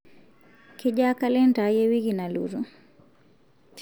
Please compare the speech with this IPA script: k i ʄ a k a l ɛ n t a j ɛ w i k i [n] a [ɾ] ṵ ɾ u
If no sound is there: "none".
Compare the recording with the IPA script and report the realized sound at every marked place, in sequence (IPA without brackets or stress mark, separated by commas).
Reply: n, l